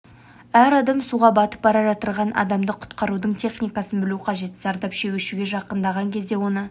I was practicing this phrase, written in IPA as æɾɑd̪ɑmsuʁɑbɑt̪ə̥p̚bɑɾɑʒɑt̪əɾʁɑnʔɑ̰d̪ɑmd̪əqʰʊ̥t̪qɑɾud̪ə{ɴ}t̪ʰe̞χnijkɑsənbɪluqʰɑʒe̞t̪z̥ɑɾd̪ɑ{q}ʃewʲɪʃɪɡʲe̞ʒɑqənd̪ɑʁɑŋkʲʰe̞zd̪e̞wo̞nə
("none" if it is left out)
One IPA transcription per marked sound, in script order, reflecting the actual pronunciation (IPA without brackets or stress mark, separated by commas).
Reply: ɴ, p